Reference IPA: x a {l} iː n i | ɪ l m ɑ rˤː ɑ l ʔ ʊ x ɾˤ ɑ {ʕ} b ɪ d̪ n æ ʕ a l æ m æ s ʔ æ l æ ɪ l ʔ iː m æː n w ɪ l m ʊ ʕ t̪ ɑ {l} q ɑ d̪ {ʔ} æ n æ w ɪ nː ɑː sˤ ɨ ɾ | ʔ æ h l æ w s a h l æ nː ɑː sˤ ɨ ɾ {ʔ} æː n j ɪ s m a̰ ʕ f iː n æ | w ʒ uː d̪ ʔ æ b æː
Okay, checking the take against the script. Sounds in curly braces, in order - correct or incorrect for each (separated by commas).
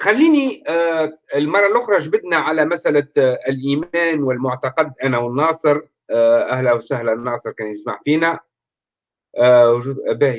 incorrect, incorrect, incorrect, correct, incorrect